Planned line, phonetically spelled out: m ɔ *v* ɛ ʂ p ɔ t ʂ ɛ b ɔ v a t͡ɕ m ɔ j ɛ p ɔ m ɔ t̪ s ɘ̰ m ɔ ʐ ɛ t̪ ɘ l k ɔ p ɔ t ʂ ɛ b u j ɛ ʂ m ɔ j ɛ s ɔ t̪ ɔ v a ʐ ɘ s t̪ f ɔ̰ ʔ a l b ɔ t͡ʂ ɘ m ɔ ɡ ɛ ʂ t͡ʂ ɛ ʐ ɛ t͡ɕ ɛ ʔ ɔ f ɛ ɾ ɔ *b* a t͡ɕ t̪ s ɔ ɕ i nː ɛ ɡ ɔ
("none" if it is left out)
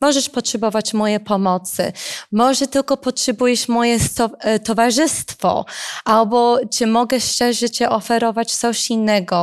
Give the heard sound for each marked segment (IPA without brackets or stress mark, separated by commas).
ʐ, v